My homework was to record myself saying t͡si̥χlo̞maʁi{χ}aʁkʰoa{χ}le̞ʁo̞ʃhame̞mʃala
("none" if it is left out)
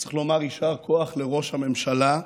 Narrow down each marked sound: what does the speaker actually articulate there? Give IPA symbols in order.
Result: ʃ, χ

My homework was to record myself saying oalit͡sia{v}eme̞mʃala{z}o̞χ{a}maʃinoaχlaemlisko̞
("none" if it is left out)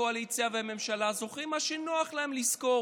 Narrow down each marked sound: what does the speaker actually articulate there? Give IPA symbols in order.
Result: v, z, i

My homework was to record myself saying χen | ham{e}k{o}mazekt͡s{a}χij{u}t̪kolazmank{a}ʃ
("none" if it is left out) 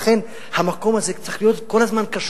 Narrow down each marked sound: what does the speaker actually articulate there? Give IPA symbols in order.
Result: a, o, a, o, a

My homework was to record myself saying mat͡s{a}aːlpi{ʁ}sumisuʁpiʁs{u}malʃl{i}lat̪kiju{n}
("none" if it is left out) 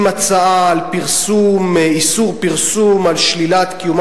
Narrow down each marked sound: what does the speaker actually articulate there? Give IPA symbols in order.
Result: a, ʁ, u, i, m

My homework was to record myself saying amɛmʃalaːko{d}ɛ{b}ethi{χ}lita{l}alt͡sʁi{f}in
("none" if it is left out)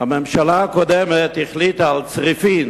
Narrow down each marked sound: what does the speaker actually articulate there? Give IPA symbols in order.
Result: d, m, χ, none, f

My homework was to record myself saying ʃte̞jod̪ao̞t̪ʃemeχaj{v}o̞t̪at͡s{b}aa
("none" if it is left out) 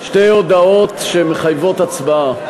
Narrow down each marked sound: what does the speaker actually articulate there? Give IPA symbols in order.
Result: v, b

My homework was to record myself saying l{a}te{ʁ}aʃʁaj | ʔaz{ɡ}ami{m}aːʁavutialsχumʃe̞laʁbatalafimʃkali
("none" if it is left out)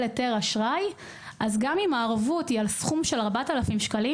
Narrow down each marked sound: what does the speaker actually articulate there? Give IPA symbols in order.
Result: e, ʁ, ɡ, m

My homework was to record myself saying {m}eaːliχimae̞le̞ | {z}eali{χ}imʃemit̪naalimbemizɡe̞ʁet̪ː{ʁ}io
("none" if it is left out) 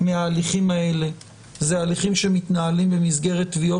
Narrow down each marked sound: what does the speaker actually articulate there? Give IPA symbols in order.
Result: m, z, χ, v

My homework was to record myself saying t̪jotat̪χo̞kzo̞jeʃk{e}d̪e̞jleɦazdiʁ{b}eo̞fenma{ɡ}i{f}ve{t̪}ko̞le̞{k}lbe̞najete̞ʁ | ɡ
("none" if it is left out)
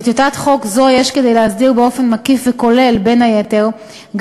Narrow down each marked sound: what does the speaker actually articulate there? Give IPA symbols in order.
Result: e, b, k, f, none, none

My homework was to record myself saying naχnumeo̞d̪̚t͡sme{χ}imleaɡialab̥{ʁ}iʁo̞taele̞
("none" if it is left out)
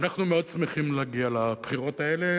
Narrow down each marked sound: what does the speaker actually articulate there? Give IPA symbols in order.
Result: χ, χ

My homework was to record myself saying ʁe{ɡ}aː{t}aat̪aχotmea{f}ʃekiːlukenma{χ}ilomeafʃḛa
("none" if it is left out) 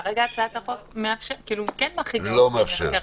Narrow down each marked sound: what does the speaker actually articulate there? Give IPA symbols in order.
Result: ɡ, t͡s, f, χ

